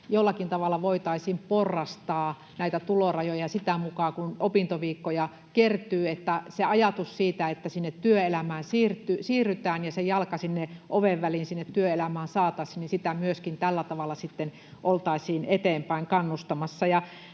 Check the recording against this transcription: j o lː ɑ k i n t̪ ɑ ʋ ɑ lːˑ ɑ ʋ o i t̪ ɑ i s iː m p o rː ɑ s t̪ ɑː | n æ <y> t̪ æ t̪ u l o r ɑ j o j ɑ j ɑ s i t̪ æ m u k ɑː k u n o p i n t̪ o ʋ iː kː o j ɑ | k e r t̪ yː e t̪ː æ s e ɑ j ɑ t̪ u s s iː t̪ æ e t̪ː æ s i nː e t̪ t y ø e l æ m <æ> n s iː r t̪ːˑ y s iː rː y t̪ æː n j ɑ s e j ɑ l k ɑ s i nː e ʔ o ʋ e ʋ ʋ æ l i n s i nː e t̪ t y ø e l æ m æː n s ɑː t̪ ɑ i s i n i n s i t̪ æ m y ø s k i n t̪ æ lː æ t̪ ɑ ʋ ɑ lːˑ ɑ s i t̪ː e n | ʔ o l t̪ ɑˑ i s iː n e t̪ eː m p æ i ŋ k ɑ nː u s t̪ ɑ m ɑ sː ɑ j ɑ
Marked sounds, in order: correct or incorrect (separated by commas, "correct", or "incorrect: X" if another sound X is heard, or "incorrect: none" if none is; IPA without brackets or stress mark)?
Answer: incorrect: i, incorrect: æː